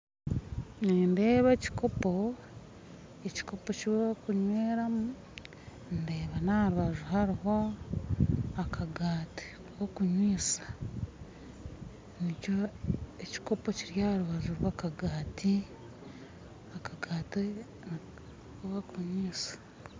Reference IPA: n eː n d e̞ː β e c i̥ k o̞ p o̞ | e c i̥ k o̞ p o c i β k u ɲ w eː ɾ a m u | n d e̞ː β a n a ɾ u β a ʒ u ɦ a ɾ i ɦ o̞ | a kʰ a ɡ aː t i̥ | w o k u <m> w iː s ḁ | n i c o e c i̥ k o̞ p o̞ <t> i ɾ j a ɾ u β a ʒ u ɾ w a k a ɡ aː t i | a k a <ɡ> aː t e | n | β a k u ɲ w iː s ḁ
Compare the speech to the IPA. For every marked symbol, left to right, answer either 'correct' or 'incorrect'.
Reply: incorrect, incorrect, correct

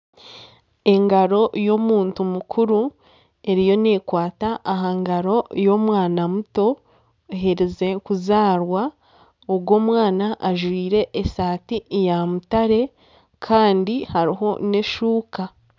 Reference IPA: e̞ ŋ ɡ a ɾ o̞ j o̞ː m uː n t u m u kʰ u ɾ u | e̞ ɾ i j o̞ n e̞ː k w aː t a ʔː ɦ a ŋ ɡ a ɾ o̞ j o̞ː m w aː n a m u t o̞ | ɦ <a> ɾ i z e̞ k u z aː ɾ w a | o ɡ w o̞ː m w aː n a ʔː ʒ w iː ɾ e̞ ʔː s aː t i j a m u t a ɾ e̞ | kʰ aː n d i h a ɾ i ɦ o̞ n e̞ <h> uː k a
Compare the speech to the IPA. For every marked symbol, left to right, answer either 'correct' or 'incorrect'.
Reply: incorrect, incorrect

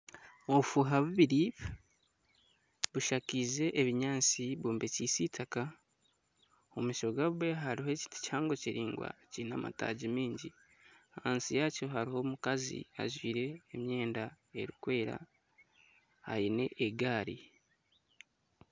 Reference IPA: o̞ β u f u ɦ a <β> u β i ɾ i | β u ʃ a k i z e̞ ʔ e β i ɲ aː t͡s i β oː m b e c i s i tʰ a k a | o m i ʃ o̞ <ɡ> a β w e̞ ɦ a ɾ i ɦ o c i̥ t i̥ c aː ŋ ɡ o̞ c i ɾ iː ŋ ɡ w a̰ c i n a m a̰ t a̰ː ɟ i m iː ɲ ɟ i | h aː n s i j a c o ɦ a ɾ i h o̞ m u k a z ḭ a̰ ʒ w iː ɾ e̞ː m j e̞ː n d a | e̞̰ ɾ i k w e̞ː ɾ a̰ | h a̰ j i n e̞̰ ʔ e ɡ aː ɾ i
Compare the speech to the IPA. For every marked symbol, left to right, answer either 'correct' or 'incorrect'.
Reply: correct, correct

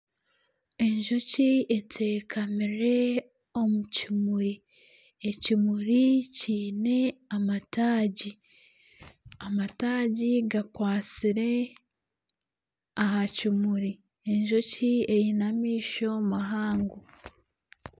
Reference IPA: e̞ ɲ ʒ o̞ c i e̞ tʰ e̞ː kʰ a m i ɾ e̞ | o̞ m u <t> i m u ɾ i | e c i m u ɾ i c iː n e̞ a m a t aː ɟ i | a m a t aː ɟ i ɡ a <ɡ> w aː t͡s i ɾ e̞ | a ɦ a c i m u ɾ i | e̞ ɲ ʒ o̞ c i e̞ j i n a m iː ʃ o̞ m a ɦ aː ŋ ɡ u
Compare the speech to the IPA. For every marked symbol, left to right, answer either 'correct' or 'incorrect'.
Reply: incorrect, incorrect

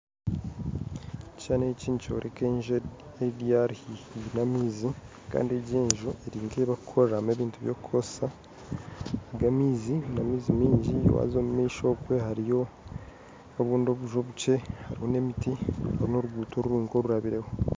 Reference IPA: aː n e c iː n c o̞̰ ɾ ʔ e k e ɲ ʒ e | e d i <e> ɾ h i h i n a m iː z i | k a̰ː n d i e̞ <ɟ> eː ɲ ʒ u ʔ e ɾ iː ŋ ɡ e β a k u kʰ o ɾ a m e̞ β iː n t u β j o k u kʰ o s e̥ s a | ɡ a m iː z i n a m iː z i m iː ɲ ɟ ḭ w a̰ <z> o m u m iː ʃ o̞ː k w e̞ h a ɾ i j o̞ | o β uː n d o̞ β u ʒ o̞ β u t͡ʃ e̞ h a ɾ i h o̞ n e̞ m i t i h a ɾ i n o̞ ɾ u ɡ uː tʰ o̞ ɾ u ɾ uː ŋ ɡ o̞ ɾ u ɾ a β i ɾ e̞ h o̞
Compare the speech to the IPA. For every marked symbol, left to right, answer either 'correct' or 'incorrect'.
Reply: incorrect, correct, correct

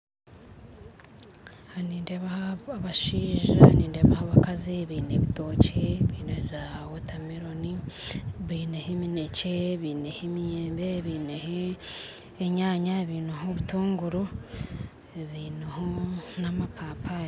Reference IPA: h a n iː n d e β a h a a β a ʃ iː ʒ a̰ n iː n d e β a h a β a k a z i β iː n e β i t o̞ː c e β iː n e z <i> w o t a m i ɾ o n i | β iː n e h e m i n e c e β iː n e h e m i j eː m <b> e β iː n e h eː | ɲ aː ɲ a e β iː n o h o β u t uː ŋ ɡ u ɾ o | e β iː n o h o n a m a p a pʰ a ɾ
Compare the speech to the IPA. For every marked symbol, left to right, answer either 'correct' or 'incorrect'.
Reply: incorrect, correct

